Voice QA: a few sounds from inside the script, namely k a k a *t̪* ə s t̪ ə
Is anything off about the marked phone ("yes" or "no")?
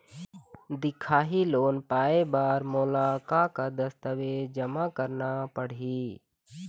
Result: yes